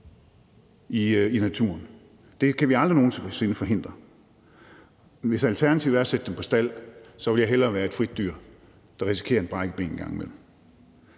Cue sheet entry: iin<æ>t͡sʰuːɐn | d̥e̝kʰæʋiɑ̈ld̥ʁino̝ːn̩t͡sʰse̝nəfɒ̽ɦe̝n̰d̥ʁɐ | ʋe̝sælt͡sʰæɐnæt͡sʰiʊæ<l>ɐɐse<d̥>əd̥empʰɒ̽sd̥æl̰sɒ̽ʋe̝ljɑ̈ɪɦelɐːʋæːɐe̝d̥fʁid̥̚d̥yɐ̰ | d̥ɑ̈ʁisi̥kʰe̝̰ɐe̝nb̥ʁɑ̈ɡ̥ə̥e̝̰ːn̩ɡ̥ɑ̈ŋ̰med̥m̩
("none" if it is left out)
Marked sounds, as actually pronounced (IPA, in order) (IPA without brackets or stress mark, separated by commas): æ, none, d̥